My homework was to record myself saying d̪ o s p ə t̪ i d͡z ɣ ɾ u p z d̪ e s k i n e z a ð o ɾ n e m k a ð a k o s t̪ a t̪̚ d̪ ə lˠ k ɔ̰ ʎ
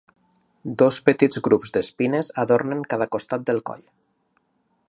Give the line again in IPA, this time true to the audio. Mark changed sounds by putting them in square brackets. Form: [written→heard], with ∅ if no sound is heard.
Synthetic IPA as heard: d̪ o s p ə t̪ i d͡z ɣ ɾ u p z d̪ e s [k→p] i n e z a ð o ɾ n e [m→ŋ] k a ð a k o s t̪ a t̪̚ d̪ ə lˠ k ɔ̰ ʎ